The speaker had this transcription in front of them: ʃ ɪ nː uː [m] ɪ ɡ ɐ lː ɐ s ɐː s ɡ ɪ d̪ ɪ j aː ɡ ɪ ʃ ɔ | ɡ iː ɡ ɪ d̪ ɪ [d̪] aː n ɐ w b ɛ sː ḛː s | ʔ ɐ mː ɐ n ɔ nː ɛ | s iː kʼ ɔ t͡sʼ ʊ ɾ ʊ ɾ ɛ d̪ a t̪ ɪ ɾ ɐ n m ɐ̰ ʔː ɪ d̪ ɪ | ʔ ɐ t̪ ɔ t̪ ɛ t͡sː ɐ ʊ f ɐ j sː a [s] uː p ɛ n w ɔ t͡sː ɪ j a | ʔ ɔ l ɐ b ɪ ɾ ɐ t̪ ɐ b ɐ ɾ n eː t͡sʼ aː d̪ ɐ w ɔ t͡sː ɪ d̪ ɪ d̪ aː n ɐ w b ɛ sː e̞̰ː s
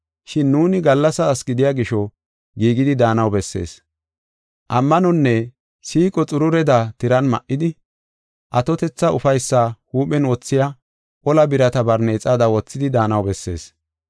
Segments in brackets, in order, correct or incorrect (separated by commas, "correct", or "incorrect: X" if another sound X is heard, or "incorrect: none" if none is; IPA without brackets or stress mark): incorrect: n, correct, incorrect: h